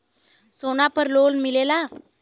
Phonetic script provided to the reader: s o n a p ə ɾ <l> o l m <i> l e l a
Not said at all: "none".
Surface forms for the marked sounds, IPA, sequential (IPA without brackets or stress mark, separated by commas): l, i